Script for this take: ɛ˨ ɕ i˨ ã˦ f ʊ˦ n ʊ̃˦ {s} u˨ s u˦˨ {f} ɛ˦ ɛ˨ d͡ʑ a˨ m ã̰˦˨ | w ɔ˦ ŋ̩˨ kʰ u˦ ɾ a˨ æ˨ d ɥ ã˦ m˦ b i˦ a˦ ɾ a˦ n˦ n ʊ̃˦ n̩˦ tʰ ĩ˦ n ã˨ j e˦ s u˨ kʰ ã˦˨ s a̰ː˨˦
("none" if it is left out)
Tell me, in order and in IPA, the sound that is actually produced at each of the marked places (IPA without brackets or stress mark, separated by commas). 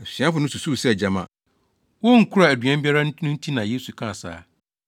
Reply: s, s